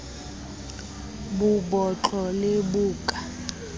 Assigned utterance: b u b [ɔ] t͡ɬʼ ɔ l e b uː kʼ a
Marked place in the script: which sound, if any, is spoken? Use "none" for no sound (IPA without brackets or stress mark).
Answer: ɔ